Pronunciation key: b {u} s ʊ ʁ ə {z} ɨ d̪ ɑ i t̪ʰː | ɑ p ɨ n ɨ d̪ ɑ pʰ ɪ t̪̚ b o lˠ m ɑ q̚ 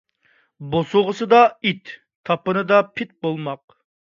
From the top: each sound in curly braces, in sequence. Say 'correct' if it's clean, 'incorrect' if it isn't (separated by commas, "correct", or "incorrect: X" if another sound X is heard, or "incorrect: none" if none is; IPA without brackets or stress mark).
incorrect: o, incorrect: s